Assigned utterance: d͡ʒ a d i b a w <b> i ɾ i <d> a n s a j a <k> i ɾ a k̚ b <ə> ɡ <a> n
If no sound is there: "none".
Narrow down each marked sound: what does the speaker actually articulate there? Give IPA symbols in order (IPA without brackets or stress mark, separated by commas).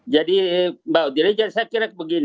d, d͡ʒ, k, ə, i